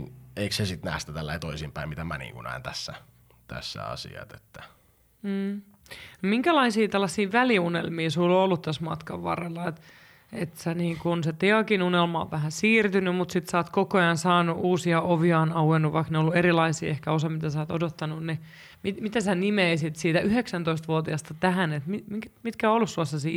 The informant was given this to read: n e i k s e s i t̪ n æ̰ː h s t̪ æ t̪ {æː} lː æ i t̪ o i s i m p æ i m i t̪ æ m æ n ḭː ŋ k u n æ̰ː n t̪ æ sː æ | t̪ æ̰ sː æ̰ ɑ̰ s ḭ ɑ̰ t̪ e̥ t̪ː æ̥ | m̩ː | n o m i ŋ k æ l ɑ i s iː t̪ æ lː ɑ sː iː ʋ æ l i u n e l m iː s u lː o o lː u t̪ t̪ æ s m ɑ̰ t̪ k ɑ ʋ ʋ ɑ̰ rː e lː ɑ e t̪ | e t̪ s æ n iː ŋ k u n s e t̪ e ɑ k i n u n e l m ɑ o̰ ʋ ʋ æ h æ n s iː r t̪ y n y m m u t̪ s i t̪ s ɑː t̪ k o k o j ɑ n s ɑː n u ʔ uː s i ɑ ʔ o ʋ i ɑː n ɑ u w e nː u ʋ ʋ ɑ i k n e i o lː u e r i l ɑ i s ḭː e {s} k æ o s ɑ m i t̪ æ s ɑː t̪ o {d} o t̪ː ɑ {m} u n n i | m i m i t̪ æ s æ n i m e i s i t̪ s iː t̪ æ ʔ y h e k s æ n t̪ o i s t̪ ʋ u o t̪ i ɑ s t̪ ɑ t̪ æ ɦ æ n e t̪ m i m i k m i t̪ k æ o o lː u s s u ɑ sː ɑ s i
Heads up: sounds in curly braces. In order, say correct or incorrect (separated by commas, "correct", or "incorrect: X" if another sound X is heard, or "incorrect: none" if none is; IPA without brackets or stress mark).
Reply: incorrect: æ, incorrect: h, correct, incorrect: n